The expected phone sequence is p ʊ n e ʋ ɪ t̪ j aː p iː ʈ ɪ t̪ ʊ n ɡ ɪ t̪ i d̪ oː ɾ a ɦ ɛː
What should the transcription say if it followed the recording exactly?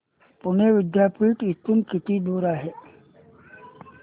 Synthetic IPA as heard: p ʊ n e ʋ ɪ d̪ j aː p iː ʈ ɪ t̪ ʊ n k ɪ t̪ i d̪ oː ɾ a ɦ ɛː